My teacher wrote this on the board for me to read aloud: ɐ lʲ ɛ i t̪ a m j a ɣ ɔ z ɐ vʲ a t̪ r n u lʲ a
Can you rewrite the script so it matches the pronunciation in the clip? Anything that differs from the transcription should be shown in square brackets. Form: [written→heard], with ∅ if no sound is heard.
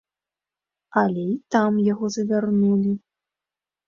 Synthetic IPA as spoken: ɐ lʲ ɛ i t̪ a m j a ɣ ɔ z ɐ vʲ a [t̪→∅] r n u lʲ [a→i]

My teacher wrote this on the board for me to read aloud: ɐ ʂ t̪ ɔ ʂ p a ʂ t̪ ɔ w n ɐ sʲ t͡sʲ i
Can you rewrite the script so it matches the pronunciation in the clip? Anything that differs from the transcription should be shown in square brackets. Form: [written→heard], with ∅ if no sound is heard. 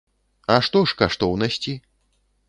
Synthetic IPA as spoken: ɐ ʂ t̪ ɔ ʂ [p→k] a ʂ t̪ ɔ w n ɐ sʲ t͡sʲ i

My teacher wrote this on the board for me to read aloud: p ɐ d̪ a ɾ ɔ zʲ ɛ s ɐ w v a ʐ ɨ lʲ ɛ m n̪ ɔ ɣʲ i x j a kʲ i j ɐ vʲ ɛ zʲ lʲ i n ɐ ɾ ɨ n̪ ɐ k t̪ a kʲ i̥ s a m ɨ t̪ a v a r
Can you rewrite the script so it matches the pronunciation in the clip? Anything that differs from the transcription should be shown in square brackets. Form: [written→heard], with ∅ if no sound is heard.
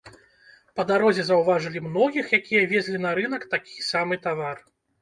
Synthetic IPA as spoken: p ɐ d̪ a ɾ ɔ zʲ ɛ [s→z] ɐ w v a ʐ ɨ lʲ [ɛ→i] m n̪ ɔ ɣʲ i x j a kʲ i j ɐ vʲ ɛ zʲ lʲ i n ɐ ɾ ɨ n̪ ɐ k t̪ a kʲ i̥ s a m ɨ t̪ a v a r

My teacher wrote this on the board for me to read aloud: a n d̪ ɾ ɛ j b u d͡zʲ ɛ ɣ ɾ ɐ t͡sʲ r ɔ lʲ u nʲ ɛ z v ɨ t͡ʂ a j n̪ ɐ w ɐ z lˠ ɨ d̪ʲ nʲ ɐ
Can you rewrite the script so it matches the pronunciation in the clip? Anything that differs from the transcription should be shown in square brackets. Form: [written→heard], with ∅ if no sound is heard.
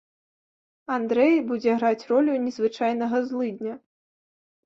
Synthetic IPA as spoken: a n d̪ ɾ ɛ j b u d͡zʲ ɛ ɣ ɾ [ɐ→a] t͡sʲ r ɔ lʲ u nʲ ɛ z v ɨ t͡ʂ a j n̪ ɐ [w→ɣ] ɐ z lˠ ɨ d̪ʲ nʲ ɐ

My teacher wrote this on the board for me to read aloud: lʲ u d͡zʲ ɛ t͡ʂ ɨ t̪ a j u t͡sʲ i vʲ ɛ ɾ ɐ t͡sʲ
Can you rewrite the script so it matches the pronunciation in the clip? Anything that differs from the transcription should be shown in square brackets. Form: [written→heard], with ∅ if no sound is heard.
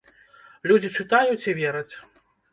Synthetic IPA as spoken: lʲ u d͡zʲ [ɛ→i] t͡ʂ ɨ t̪ a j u t͡sʲ i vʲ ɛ ɾ ɐ t͡sʲ

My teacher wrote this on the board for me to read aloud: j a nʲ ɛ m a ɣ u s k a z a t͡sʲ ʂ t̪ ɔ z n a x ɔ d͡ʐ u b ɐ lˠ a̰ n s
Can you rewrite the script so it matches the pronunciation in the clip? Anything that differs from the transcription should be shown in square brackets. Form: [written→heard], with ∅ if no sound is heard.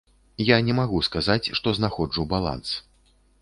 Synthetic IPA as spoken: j a nʲ ɛ m a ɣ u s k a z a t͡sʲ ʂ t̪ ɔ z n a x ɔ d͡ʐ u b [ɐ→a] lˠ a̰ n s

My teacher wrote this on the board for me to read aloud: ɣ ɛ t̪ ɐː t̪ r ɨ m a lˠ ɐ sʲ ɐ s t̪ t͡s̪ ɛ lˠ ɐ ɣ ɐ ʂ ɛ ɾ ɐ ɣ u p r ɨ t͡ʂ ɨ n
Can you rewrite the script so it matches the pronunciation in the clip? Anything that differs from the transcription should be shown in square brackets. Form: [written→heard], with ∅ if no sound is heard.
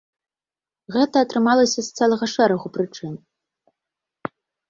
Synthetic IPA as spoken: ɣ ɛ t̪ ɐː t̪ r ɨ m a lˠ ɐ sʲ ɐ s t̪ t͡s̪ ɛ lˠ ɐ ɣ ɐ ʂ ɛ ɾ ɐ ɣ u p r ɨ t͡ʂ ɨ n

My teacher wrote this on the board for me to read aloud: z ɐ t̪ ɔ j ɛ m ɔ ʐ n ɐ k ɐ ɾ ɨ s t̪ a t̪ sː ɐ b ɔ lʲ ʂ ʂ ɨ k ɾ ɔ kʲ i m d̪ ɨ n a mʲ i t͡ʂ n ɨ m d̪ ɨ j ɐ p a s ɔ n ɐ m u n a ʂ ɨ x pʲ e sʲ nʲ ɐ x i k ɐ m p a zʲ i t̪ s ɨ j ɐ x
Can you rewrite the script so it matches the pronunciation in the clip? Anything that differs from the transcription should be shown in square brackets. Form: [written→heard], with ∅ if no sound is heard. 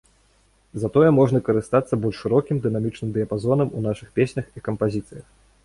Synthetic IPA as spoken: z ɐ t̪ ɔ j ɛ m ɔ ʐ n ɐ k ɐ ɾ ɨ s t̪ a t̪ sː ɐ b ɔ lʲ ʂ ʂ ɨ [k→∅] ɾ ɔ kʲ i m d̪ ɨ n a mʲ i t͡ʂ n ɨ m d̪ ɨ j ɐ p a [s→z] ɔ n ɐ m u n a ʂ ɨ x pʲ e sʲ nʲ ɐ x i k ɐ m p a zʲ i t̪ s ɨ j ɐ x

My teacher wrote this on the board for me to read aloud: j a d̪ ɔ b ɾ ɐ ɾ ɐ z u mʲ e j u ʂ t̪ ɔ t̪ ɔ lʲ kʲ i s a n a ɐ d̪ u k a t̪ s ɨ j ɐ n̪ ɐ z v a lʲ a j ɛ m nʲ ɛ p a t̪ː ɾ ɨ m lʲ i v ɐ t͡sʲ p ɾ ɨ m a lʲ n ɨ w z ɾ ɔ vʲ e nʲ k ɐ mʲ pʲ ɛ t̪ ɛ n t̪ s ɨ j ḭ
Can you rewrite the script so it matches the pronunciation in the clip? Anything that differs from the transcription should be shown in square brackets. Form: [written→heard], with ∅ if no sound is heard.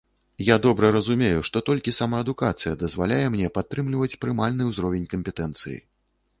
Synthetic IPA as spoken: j a d̪ ɔ b ɾ ɐ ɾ ɐ z u mʲ e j u ʂ t̪ ɔ t̪ ɔ lʲ kʲ i s a [n→m] a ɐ d̪ u k a t̪ s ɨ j ɐ [n̪→d̪] ɐ z v a lʲ a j ɛ m nʲ ɛ p a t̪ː ɾ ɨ m lʲ i v ɐ t͡sʲ p ɾ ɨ m a lʲ n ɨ w z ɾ ɔ vʲ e nʲ k ɐ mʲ pʲ ɛ t̪ ɛ n t̪ s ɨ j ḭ

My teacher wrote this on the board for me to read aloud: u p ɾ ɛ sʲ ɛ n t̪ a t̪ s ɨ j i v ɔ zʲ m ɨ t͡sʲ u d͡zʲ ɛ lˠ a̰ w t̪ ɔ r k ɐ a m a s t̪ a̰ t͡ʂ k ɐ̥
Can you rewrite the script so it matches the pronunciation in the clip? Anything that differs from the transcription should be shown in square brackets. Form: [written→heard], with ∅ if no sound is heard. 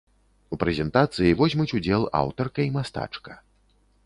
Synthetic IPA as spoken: u p ɾ ɛ [sʲ→zʲ] ɛ n t̪ a t̪ s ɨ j i v ɔ zʲ m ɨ t͡sʲ u d͡zʲ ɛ lˠ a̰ w t̪ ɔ r k ɐ [a→i] m a s t̪ a̰ t͡ʂ k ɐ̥

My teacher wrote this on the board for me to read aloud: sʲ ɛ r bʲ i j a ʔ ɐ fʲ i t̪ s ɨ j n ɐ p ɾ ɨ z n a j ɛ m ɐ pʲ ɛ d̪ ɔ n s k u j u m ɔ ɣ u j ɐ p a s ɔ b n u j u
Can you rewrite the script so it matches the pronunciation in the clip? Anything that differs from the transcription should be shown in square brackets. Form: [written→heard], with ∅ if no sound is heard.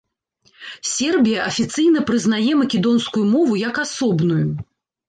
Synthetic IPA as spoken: sʲ ɛ r bʲ i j [a→ɐ] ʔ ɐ fʲ i t̪ s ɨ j n ɐ p ɾ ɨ z n a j ɛ m ɐ [pʲ→kʲ] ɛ d̪ ɔ n s k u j u m ɔ [ɣ→v] u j ɐ [p→k] a s ɔ b n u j u

